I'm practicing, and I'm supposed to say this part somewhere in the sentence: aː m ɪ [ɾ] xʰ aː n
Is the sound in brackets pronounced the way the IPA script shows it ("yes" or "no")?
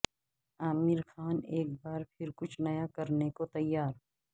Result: yes